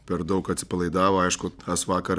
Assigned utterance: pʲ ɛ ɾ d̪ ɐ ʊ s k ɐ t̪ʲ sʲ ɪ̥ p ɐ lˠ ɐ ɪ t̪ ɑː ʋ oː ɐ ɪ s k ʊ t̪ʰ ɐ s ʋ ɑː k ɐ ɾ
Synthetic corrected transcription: pʲ ɛ ɾ d̪ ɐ ʊ k ɐ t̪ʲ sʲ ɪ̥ p ɐ lˠ ɐ ɪ d̪ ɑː ʋ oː ɐ ɪ ʃ k ʊ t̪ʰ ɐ s ʋ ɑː k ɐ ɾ

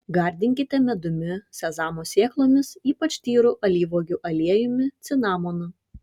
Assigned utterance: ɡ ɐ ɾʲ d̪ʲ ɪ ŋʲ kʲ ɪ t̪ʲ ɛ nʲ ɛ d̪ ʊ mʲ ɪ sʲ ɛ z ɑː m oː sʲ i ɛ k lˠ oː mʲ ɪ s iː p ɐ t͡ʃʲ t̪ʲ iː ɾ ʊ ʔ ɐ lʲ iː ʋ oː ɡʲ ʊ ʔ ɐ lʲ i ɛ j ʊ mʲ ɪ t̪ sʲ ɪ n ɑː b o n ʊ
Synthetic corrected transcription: ɡ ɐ ɾʲ d̪ʲ ɪ ŋʲ kʲ ɪ t̪ʲ ɛ mʲ ɛ d̪ ʊ mʲ ɪ sʲ ɛ z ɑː m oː sʲ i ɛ k lˠ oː mʲ ɪ s iː p ɐ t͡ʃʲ t̪ʲ iː ɾ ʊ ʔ ɐ lʲ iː ʋ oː ɡʲ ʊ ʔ ɐ lʲ i ɛ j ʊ mʲ ɪ t̪ sʲ ɪ n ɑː m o n ʊ

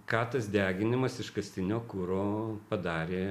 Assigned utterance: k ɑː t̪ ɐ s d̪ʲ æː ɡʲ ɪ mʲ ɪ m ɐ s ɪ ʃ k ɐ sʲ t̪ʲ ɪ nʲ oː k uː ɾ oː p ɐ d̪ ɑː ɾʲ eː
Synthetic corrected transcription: k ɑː t̪ ɐ s d̪ʲ æː ɡʲ ɪ nʲ ɪ m ɐ s ɪ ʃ k ɐ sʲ t̪ʲ ɪ nʲ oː k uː ɾ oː p ɐ d̪ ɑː ɾʲ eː

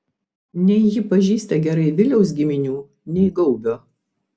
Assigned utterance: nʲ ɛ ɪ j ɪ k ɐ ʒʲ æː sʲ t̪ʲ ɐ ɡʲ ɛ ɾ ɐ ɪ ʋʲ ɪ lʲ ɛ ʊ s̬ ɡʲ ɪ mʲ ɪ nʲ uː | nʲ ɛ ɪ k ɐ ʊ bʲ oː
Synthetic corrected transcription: nʲ ɛ ɪ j ɪ p ɐ ʒʲ iː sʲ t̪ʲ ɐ ɡʲ ɛ ɾ ɐ ɪ ʋʲ ɪ lʲ ɛ ʊ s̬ ɡʲ ɪ mʲ ɪ nʲ uː | nʲ ɛ ɪ ɡ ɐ ʊ bʲ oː

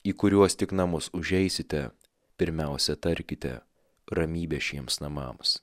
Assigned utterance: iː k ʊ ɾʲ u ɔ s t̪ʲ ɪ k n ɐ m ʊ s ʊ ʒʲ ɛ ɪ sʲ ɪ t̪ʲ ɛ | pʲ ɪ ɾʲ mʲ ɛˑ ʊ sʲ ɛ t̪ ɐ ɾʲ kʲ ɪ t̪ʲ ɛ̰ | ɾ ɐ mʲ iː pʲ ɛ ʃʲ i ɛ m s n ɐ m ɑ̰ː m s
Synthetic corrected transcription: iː k ʊ ɾʲ u ɔ s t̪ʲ ɪ k n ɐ m ʊ s ʊ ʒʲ ɛ ɪ sʲ ɪ t̪ʲ ɛ | pʲ ɪ ɾʲ mʲ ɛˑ ʊ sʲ ɛ t̪ ɐ ɾʲ kʲ ɪ t̪ʲ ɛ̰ | ɾ ɐ mʲ iː bʲ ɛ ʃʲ i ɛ m s n ɐ m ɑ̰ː m s

